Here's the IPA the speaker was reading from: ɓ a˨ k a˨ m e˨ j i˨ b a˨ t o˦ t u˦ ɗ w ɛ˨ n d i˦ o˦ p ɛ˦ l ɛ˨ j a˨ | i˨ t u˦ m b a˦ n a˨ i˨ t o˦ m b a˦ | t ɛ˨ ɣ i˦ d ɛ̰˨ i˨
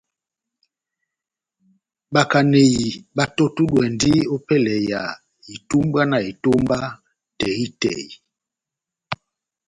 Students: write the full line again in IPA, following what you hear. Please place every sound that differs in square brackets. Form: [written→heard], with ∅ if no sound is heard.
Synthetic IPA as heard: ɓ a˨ k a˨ [m→n] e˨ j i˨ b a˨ t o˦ t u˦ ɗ w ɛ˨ n d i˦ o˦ p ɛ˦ l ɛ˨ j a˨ | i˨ t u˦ m b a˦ n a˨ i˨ t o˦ m b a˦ | t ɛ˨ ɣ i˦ [d→t] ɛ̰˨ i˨